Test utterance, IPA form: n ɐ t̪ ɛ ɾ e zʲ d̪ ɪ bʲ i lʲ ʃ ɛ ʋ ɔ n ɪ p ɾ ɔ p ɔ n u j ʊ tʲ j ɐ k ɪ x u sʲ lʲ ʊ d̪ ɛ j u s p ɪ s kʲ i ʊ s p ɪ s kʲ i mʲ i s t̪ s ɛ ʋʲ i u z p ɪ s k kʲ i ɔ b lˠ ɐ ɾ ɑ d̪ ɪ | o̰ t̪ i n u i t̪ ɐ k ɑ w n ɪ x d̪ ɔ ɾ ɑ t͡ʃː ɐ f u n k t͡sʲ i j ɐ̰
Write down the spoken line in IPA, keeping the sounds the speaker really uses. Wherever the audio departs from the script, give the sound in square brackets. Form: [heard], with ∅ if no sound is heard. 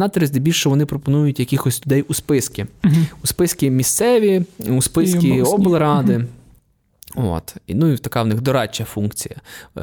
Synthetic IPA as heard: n [ɑ] t̪ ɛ ɾ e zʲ d̪ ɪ bʲ i lʲ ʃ ɛ ʋ ɔ n ɪ p ɾ ɔ p ɔ n u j ʊ tʲ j ɐ k ɪ x [ɔ] sʲ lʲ ʊ d̪ ɛ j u s p ɪ s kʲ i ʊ s p ɪ s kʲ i mʲ i s t̪ s ɛ ʋʲ i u [s] p ɪ s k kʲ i ɔ b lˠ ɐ ɾ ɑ d̪ ɪ | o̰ t̪ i n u i t̪ ɐ k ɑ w n ɪ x d̪ ɔ ɾ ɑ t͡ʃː ɐ f u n k t͡sʲ i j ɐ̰